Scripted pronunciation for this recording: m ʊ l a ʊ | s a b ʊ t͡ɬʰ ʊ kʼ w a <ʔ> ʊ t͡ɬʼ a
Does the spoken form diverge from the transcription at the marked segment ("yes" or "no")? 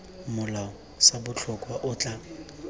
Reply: no